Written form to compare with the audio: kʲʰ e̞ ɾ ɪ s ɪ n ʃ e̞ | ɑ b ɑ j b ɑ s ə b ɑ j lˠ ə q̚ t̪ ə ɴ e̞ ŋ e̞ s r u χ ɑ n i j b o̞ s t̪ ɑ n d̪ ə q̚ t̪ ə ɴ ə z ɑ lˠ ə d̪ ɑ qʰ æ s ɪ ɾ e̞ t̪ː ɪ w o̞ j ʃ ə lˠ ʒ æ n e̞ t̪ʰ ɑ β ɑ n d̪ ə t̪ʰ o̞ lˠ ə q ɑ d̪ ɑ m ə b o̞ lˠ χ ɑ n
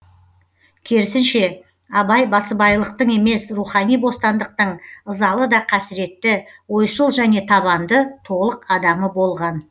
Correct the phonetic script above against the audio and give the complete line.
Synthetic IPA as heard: kʲʰ e̞ ɾ ɪ s ɪ n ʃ e̞ | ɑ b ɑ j b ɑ s ə b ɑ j lˠ ə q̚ t̪ ə ɴ e̞ m e̞ s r u χ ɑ n i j b o̞ s t̪ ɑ n d̪ ə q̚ t̪ ə ɴ ə z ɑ lˠ ə d̪ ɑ qʰ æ s ɪ ɾ e̞ t̪ː ɪ w o̞ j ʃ ə lˠ ʒ æ n e̞ t̪ʰ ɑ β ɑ n d̪ ə t̪ʰ o̞ lˠ ə q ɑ d̪ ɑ m ə b o̞ lˠ ʁ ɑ n

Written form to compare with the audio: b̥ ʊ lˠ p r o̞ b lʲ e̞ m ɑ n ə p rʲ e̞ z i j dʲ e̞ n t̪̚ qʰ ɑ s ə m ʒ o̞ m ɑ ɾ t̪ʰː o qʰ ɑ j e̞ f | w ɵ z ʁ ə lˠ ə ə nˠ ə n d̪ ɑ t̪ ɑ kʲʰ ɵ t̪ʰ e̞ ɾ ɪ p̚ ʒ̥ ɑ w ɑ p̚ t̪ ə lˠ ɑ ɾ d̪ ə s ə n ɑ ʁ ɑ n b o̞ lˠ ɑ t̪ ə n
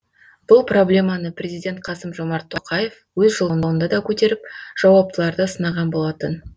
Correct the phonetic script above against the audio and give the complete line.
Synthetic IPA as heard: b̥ ʊ lˠ p r o̞ b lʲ e̞ m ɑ n ə p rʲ e̞ z i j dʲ e̞ n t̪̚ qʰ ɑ s ə m ʒ o̞ m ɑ ɾ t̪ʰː o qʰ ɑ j e̞ f | w ɵ z ʒ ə lˠ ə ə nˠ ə n d̪ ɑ d̪ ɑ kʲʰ ɵ t̪ e̞ ɾ ɪ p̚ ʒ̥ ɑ w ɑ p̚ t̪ ə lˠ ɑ ɾ d̪ ə s ə n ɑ ʁ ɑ n b o̞ lˠ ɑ t̪ ə n

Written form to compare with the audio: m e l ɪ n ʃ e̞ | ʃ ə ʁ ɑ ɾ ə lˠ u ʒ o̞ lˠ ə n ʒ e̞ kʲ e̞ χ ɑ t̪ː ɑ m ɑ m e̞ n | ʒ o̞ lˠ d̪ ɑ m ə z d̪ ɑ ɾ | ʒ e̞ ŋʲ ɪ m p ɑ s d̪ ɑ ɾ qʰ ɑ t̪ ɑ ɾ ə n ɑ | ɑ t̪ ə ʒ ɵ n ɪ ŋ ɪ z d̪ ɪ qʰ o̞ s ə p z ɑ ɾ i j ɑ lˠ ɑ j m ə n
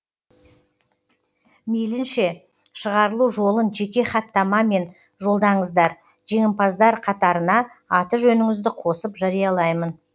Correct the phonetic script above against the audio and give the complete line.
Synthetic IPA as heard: m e l ɪ n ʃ e̞ | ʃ ə ʁ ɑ ɾ ə lˠ u ʒ o̞ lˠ ə n ʒ e̞ kʲ e̞ χ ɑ t̪ː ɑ m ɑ m e̞ n | ʒ o̞ lˠ d̪ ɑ ɴ ə z d̪ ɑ ɾ | ʒ e̞ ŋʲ ɪ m p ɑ z d̪ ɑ ɾ qʰ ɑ t̪ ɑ ɾ ə n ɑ | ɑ t̪ ə ʒ ɵ n ɪ ŋ ɪ z d̪ ɪ qʰ o̞ s ə p ʒ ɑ ɾ i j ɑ lˠ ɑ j m ə n

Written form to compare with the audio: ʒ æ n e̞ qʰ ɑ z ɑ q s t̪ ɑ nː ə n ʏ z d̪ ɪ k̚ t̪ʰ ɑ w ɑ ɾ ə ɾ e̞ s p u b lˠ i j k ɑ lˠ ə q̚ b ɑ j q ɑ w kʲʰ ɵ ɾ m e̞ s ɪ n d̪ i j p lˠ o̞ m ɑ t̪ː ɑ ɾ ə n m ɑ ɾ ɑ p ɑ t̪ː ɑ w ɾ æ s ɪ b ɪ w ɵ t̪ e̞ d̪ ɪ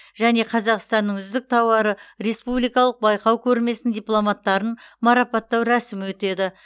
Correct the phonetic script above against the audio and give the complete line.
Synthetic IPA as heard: ʒ æ n e̞ qʰ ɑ z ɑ q s t̪ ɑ nː ə ɴ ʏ z d̪ ɪ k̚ t̪ʰ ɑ w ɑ ɾ ə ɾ e̞ s p u b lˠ i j k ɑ lˠ ə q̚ b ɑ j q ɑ w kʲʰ ɵ ɾ m e̞ s ɪ n d̪ i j p lˠ o̞ m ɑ t̪ː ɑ ɾ ə n m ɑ ɾ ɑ p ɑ t̪ː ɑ w ɾ æ s ɪ m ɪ w ɵ t̪ e̞ d̪ ɪ

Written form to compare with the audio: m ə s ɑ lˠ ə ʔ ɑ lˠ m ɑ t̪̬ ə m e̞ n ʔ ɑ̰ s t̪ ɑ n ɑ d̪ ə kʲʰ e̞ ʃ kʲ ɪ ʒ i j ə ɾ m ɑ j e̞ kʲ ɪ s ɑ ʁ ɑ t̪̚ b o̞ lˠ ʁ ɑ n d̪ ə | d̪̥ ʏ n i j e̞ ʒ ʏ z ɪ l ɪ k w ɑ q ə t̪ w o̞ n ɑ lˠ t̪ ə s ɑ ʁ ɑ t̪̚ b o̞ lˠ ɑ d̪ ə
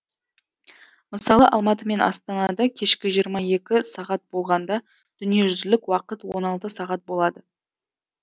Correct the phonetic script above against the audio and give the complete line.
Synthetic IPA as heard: m ə s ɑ lˠ ə ʔ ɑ lˠ m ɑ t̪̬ ə m e̞ n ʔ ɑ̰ s t̪ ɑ n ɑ d̪ ɑ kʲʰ e̞ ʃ kʲ ɪ ʒ i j ə ɾ m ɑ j e̞ kʲ ɪ s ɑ ʁ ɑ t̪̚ b o̞ lˠ ʁ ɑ n d̪ ɑ | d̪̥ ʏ n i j e̞ ʒ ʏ z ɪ l ɪ k w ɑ q ə t̪ w o̞ n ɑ lˠ t̪ ə s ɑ ʁ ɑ t̪̚ b o̞ lˠ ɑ d̪ ə

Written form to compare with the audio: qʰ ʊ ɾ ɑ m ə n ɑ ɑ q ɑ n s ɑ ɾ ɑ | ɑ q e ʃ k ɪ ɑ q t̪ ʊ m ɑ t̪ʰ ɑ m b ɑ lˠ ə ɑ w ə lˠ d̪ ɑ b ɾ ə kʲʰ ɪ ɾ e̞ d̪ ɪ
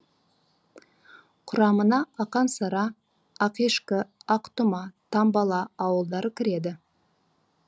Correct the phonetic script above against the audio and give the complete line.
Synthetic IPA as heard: qʰ ʊ ɾ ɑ m ə n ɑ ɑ q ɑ n s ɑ ɾ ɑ | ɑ q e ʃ k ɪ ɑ q t̪ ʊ m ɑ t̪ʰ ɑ m b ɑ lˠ ɑ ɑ w ə lˠ d̪ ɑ ɾ ə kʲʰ ɪ ɾ e̞ d̪ ɪ

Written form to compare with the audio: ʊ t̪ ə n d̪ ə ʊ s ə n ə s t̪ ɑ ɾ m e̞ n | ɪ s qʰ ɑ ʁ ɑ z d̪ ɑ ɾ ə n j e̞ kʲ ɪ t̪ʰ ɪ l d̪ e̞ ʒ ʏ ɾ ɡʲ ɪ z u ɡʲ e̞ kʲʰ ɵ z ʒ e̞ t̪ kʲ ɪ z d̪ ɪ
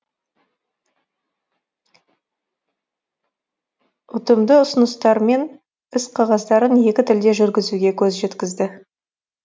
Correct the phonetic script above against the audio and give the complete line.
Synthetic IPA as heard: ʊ t̪ ə m d̪ ə ʊ s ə n ə s t̪ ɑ ɾ m e̞ n | ɪ s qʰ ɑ ʁ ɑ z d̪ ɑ ɾ ə n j e̞ kʲ ɪ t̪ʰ ɪ l d̪ e̞ ʒ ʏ ɾ ɡʲ ɪ z u ɡʲ e̞ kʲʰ ɵ z ʒ e̞ t̪ kʲ ɪ z d̪ ɪ

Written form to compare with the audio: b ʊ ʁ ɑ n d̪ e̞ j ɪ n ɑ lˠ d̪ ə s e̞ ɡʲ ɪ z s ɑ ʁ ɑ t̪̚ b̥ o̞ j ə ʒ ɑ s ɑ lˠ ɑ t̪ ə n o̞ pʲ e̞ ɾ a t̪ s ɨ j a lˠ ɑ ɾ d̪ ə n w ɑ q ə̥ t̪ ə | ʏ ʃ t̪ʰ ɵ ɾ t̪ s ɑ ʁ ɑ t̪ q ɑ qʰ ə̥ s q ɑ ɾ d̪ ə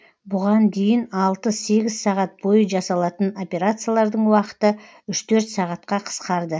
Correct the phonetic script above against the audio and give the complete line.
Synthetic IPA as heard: b ʊ ʁ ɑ n d̪ e̞ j ɪ n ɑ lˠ t̪ ə s e̞ ɡʲ ɪ z s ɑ ʁ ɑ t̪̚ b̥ o̞ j ə ʒ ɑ s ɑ lˠ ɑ t̪ ə n o̞ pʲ e̞ ɾ a t̪ s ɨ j a lˠ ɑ ɾ d̪ ə ɴ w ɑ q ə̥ t̪ ə | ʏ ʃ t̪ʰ ɵ ɾ t̪ s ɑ ʁ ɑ t̪ q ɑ qʰ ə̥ s q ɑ ɾ d̪ ə

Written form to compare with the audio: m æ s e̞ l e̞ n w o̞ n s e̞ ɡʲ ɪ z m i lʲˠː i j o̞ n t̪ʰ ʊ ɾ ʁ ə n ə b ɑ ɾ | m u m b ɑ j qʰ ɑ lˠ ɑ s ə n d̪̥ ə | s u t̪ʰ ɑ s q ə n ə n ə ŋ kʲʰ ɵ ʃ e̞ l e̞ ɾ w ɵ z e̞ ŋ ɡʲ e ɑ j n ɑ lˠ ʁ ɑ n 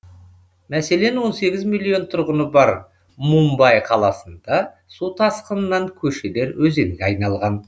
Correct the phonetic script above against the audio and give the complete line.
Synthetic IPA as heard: m æ s e̞ l e̞ n w o̞ n s e̞ ɡʲ ɪ z m i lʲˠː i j o̞ n t̪ʰ ʊ ɾ ʁ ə n ə b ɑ ɾ | m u m b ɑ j qʰ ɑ lˠ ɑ s ə n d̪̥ ɑ | s u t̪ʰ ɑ s q ə n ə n ɑ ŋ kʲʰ ɵ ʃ e̞ l e̞ ɾ w ɵ z e̞ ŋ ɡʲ e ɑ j n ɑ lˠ ʁ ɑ n

